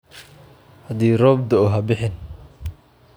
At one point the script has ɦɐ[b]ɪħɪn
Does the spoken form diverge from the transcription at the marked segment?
no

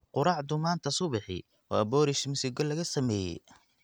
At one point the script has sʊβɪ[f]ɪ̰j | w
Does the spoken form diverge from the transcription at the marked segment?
yes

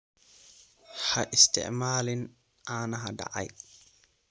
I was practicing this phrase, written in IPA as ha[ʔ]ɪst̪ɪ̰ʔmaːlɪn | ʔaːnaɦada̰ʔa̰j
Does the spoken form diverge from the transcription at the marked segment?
no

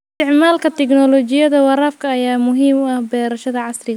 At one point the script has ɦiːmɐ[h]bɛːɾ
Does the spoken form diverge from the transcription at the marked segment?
no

